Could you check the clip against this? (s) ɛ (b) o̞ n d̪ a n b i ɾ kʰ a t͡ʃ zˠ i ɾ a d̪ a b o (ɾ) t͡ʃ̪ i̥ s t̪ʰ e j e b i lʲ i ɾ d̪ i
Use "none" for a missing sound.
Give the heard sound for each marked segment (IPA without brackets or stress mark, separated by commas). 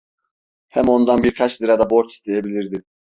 h, m, ɾ